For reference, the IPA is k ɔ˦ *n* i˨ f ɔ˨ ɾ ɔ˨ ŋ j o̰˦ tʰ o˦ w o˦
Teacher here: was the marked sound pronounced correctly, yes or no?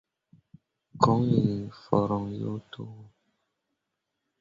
no